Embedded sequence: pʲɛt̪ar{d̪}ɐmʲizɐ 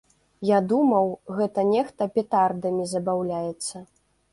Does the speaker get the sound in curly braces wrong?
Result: no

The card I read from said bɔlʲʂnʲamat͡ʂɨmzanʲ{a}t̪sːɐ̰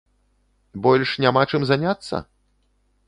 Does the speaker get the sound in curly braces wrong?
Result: no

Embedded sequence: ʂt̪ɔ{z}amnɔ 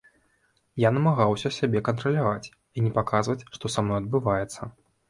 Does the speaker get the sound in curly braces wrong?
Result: yes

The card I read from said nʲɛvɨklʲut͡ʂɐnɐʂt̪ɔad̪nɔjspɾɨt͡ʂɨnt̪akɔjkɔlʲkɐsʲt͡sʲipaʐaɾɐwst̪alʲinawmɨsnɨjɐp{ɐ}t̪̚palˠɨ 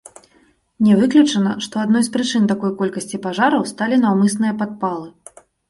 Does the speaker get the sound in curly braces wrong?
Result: yes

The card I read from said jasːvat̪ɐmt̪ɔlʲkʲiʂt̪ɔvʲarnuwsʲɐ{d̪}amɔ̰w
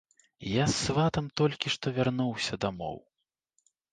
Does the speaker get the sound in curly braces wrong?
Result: no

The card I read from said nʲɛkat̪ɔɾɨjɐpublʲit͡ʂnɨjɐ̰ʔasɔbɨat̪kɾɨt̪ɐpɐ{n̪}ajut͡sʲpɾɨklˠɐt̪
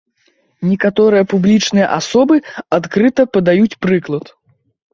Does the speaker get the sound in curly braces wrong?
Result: yes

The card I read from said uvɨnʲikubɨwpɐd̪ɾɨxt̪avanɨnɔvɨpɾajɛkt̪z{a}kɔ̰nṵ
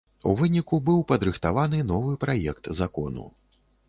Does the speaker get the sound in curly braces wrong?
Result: no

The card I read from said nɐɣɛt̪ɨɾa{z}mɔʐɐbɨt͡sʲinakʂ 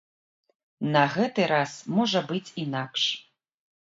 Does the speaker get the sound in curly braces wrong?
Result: yes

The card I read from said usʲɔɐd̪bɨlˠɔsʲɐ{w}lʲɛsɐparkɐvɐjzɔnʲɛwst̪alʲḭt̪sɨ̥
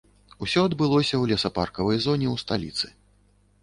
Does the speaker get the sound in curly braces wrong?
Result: no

